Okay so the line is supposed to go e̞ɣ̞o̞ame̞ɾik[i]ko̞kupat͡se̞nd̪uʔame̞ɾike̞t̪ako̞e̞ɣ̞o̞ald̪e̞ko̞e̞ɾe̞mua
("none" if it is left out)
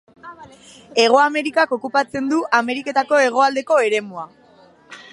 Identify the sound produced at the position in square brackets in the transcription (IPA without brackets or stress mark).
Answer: a